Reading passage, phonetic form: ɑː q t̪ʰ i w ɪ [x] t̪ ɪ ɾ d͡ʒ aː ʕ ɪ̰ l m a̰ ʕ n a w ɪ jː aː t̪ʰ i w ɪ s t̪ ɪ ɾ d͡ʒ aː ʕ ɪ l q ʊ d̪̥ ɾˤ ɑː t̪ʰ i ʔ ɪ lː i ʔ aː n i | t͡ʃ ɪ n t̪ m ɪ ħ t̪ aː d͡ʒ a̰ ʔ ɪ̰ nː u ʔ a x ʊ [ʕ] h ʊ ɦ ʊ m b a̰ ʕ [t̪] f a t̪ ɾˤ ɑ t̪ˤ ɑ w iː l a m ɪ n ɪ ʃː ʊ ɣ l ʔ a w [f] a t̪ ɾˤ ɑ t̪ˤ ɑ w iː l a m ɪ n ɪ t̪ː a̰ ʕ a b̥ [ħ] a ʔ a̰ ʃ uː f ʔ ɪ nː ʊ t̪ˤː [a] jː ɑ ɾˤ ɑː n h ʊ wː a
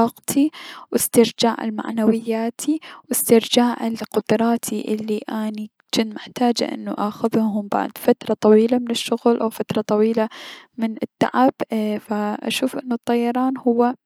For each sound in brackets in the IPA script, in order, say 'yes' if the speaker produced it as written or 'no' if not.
no, no, no, yes, no, no

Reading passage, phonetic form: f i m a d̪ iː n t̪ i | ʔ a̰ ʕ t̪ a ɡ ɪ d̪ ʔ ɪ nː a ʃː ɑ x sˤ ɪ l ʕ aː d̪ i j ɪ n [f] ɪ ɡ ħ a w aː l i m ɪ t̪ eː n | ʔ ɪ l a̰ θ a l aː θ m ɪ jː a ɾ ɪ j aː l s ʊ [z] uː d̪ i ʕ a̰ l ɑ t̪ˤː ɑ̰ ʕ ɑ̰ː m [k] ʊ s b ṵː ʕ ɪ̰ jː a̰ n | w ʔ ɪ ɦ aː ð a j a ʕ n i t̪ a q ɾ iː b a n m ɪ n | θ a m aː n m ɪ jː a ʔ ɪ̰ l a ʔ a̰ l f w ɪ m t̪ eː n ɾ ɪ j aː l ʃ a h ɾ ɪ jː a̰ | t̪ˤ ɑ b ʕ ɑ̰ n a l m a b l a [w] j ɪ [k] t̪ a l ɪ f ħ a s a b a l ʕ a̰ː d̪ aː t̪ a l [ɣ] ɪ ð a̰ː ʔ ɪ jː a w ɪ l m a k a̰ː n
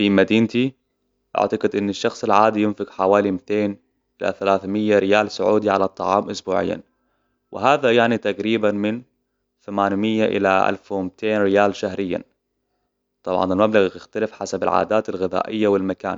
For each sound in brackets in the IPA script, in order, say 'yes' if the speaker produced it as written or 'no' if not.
yes, no, no, no, no, yes

